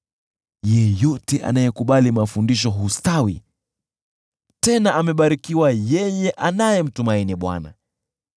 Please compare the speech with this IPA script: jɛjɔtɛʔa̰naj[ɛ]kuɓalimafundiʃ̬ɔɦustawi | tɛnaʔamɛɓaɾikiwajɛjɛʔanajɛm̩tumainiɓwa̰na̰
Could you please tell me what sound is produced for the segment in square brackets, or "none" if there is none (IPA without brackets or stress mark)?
ɛ